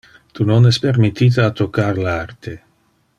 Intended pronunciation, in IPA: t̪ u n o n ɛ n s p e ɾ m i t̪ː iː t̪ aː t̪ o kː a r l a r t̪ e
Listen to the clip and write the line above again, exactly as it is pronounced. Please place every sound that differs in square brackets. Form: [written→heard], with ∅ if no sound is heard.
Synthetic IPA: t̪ u n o n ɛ [n→∅] s p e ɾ m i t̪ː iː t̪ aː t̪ o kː a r l a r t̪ e